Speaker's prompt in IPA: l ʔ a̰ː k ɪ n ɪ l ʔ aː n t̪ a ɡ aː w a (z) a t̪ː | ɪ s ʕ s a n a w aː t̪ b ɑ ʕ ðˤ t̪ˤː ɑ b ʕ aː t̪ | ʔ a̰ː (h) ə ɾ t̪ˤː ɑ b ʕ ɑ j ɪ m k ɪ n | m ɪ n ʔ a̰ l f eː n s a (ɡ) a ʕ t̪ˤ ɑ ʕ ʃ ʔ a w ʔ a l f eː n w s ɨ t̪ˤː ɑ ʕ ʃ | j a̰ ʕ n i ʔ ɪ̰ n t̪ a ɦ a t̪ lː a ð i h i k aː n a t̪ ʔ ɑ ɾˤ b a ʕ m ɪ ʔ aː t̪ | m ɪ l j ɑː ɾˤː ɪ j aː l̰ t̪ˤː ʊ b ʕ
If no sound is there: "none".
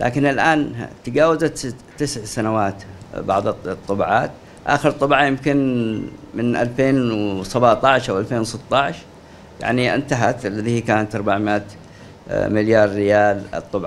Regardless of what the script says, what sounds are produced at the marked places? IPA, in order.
z, x, b

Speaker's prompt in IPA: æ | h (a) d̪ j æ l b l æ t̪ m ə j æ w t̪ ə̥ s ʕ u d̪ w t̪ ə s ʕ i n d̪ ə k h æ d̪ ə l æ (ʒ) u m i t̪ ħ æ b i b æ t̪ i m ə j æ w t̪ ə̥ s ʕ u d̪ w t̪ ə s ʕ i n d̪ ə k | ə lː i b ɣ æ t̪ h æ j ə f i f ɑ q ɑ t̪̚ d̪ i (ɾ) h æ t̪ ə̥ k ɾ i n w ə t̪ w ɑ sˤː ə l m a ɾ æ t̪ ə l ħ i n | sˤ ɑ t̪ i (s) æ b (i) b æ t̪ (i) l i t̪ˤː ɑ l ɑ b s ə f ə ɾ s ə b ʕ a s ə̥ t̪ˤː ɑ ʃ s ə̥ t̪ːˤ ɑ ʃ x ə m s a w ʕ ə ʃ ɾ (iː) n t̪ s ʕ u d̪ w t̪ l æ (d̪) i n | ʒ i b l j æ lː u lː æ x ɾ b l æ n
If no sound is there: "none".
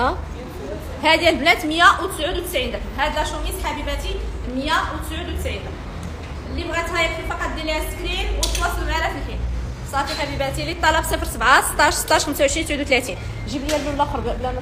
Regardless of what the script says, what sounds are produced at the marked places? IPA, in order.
æ, ʃ, l, ħ, i, i, i, t̪

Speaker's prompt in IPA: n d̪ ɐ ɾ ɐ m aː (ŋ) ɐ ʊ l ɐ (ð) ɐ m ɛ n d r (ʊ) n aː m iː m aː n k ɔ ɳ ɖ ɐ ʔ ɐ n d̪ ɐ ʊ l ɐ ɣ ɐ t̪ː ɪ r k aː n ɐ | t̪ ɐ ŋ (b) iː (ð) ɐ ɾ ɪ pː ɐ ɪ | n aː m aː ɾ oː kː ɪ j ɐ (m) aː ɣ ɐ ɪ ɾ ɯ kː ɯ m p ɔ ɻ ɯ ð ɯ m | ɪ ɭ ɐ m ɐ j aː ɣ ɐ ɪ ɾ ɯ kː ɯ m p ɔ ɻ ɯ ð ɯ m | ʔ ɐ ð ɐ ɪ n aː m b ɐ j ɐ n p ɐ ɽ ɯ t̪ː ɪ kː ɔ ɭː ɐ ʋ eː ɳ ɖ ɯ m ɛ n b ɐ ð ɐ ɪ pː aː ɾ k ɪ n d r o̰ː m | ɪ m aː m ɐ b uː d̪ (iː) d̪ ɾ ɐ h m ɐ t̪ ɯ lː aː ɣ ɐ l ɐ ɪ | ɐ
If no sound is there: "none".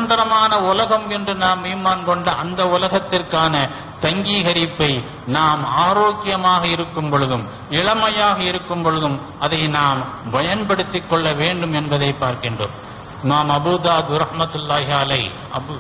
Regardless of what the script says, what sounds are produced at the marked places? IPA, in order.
n, ɣ, ɯ, ɡ, ɣ, m, aː

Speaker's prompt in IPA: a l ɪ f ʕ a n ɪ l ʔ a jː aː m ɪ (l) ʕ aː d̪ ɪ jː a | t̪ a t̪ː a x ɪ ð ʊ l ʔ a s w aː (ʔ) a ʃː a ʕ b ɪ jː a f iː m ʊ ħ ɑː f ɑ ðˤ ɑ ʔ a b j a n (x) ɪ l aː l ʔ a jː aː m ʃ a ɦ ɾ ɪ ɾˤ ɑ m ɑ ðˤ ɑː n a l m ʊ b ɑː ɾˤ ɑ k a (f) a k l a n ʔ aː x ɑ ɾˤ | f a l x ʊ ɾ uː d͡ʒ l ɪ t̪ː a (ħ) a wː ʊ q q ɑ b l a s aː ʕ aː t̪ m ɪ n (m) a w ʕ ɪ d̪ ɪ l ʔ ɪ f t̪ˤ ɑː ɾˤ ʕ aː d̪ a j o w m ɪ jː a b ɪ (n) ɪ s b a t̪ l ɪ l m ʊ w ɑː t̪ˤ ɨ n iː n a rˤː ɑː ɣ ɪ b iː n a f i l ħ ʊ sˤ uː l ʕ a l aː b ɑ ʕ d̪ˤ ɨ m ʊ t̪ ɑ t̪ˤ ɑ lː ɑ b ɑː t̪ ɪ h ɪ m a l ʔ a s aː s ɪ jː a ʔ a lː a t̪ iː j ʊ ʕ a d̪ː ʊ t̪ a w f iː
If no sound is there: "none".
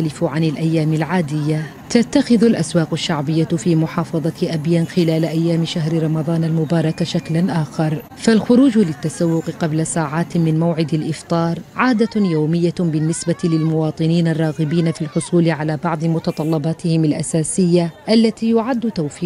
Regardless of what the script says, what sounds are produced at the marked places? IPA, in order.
l, q, x, ʃ, s, m, nː

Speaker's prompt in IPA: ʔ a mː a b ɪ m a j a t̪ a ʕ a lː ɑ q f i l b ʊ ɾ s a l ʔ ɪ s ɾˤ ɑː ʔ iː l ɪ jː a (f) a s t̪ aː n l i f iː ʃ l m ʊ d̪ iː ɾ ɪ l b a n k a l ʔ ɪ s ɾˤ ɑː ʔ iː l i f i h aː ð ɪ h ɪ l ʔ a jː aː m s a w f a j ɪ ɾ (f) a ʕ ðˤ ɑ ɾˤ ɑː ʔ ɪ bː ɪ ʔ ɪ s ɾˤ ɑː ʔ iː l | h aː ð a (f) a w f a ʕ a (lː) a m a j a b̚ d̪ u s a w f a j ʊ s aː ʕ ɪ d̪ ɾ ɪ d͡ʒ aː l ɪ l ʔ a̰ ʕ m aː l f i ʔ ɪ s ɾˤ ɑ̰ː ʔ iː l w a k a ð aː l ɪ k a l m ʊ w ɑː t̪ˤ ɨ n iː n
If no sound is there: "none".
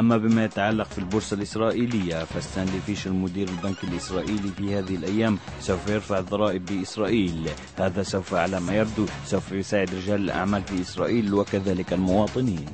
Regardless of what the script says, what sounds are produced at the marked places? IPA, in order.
f, f, s, l

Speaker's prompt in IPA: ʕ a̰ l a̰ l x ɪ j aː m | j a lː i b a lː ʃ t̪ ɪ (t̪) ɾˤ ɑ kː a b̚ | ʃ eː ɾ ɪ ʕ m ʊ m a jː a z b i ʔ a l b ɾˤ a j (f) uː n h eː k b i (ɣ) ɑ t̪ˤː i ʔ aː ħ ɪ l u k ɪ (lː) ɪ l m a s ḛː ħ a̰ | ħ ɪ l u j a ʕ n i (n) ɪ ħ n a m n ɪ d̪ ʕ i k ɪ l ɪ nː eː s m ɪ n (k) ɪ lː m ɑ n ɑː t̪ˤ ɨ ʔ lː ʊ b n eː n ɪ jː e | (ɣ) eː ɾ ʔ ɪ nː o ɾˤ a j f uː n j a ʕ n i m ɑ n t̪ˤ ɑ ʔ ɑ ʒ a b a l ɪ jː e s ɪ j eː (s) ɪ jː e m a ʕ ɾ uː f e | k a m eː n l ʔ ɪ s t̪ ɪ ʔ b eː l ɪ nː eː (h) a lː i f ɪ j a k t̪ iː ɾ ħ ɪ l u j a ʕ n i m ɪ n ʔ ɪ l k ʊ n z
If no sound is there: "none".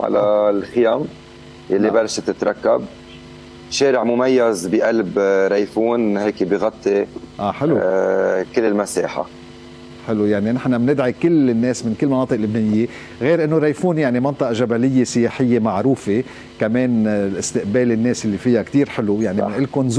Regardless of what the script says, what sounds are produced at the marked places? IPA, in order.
t̪, f, ɣ, lː, n, k, ɣ, ħ, s

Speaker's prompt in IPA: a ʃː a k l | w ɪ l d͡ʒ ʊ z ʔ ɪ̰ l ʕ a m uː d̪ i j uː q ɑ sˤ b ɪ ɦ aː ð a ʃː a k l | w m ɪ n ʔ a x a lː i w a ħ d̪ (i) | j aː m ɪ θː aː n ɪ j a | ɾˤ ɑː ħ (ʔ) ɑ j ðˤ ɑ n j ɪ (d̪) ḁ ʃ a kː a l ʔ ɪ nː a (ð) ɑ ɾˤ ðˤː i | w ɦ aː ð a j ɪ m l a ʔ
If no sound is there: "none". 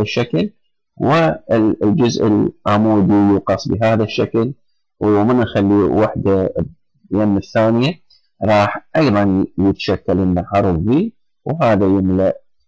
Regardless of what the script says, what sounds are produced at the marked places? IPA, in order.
a, ʔ, t̪, ʕ

